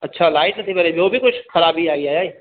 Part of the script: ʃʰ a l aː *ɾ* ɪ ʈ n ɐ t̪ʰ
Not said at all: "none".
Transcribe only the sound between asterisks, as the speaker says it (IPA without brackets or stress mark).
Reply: none